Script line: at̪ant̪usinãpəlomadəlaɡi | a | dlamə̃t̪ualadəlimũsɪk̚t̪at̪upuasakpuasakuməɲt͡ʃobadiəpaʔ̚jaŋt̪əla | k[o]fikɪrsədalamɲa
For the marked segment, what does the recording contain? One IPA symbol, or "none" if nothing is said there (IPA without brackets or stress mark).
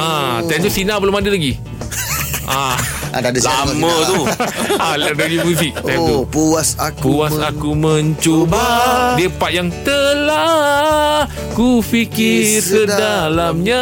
u